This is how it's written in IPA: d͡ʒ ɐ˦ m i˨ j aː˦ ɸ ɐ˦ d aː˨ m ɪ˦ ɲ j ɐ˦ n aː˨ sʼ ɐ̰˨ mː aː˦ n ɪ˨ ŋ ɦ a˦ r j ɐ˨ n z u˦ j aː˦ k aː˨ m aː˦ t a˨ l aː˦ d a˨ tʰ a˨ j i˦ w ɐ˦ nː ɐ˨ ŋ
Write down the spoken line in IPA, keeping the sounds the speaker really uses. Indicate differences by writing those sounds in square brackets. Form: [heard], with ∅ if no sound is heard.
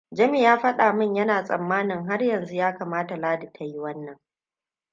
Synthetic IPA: d͡ʒ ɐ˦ m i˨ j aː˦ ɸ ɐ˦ [ɗ] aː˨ m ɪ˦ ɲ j ɐ˦ n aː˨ sʼ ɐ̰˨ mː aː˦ n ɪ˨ ŋ ɦ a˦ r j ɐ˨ n z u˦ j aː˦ k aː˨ m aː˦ t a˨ l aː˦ d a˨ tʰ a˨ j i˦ w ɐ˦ nː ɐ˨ ŋ